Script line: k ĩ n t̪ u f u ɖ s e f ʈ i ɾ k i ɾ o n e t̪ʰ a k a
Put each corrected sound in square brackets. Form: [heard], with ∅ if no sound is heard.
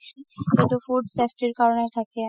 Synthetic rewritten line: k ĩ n t̪ u f u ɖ s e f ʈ i ɾ k [a] ɾ o n e t̪ʰ a k [e]

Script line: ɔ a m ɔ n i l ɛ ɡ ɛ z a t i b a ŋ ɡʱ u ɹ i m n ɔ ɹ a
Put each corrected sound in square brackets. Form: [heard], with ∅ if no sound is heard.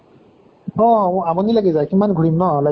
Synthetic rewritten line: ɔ a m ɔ n i l [a] ɡ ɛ z a [k] i [m] a [n] ɡʱ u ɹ i m n ɔ [l] a

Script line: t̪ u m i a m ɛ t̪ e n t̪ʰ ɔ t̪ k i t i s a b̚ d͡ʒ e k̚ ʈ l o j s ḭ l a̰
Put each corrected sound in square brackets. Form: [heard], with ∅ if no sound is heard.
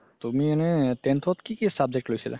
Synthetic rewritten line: t̪ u m i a [n] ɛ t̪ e n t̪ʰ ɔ t̪ k i [k] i s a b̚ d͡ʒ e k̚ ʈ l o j s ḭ l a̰

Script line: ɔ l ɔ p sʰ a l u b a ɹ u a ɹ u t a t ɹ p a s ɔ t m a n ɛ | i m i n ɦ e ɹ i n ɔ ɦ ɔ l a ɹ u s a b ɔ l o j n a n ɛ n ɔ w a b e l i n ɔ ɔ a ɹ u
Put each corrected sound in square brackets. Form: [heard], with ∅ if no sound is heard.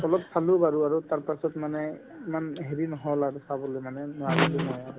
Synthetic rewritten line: ɔ l ɔ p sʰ a l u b a ɹ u a ɹ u t a [∅] ɹ p a s ɔ t m a n ɛ | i m [a] n ɦ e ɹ i n ɔ ɦ ɔ l a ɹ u s a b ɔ l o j [m] a n ɛ n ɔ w a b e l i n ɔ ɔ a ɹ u

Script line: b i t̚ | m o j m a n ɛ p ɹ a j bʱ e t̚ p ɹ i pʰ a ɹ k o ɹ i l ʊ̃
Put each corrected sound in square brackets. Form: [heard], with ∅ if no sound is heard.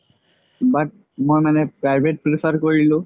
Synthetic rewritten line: b [a] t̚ | m o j m a n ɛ p ɹ a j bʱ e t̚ p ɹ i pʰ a ɹ k o ɹ i l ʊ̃

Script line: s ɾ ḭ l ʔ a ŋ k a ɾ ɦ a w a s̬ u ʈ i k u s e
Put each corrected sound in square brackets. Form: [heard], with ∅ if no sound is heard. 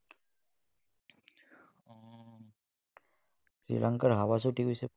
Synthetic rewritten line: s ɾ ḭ l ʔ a ŋ k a ɾ ɦ a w a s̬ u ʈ i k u s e

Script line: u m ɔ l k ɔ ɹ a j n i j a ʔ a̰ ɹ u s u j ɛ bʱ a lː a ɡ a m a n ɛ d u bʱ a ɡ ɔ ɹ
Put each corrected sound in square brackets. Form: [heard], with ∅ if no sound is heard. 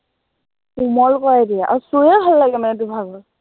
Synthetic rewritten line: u m ɔ l k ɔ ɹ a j [d] i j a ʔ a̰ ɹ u s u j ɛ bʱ a lː a ɡ [ɛ] m a n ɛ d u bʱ a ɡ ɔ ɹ

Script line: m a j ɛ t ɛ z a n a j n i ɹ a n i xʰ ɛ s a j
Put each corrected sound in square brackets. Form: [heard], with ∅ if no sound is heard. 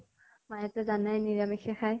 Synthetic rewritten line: m a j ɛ t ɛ z a n a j n i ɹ a [m] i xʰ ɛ [x] a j

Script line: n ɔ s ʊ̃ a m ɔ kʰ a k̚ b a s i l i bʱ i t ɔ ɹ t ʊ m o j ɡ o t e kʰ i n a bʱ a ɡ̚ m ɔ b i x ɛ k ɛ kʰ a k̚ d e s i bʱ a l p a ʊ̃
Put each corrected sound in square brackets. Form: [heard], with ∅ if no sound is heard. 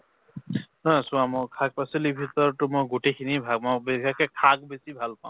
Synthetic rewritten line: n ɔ s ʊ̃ a m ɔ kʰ a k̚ [p] a s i l i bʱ i t ɔ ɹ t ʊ m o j ɡ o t e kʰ i n [i] bʱ a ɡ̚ m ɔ b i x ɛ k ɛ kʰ a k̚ [b] e s i bʱ a l p a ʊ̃

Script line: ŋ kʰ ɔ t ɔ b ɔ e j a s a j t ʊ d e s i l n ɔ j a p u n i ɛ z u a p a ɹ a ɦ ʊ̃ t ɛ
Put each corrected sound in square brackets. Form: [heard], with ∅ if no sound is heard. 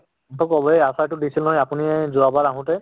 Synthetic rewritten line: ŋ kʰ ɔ [k] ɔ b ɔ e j a s a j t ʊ d [i] s i l n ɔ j a p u n i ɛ z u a [b] a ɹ a ɦ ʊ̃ t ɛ

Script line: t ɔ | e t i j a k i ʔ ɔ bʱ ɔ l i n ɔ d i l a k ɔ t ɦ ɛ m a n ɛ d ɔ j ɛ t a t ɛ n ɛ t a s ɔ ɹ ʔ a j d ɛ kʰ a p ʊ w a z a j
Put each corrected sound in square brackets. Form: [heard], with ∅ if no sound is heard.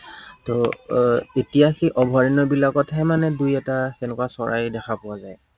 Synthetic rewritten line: t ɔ | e t i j a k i ʔ ɔ bʱ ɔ [ɹ] i n ɔ [b] i l a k ɔ t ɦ ɛ m a n ɛ d [u] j ɛ t a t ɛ n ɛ [k] a s ɔ ɹ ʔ a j d ɛ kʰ a p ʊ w a z a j

